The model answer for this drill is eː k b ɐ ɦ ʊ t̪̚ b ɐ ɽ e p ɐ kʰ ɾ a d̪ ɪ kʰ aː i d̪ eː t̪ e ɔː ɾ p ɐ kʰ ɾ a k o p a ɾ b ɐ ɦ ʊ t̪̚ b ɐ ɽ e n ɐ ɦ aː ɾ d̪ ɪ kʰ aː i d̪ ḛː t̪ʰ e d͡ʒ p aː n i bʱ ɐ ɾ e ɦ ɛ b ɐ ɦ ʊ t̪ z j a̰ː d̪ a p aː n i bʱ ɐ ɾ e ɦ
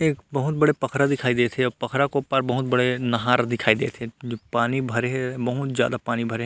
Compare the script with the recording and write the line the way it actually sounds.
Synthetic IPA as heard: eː k b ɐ ɦ ʊ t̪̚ b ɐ ɽ e p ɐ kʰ ɾ a d̪ ɪ kʰ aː i d̪ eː t̪ʰ e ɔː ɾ p ɐ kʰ ɾ a k o p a ɾ b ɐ ɦ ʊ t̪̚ b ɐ ɽ e n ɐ ɦ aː ɾ d̪ ɪ kʰ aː i d̪ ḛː t̪ʰ e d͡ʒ p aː n i bʱ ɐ ɾ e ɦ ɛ b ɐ ɦ ʊ t̪ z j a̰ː d̪ a p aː n i bʱ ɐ ɾ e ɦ